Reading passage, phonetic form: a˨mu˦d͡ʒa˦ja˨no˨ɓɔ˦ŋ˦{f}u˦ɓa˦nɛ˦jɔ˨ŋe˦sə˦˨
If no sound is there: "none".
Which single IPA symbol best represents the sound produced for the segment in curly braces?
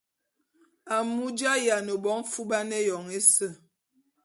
f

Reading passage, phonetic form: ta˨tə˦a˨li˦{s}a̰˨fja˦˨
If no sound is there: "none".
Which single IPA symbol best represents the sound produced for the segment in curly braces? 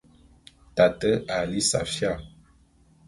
s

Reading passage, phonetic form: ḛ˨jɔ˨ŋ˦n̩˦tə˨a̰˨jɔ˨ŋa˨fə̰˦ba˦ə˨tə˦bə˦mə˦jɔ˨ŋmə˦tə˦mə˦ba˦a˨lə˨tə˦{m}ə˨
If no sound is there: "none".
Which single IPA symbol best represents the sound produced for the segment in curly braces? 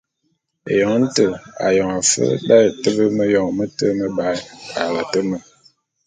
m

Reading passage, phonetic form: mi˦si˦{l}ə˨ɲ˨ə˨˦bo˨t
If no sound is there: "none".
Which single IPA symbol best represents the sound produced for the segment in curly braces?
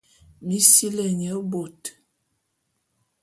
l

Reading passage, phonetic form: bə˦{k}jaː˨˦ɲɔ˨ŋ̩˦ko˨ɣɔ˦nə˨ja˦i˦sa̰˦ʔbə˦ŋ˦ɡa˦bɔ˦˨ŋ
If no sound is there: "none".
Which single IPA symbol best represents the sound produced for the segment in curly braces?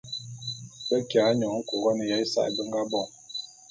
k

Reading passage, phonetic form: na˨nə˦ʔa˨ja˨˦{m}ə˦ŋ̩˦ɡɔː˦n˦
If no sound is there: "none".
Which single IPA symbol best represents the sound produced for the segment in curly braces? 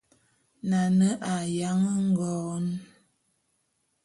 ŋ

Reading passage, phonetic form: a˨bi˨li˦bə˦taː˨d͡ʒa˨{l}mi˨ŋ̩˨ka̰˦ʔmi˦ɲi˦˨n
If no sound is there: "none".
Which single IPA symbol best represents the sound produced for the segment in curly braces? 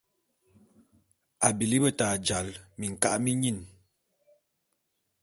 l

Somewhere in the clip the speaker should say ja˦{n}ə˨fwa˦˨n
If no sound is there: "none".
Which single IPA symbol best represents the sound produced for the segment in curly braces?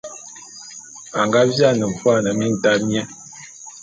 n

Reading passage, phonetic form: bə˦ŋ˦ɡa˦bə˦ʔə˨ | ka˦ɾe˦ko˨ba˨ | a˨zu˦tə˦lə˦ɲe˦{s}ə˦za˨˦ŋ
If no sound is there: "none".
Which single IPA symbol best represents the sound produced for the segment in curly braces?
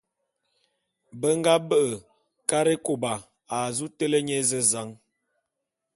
z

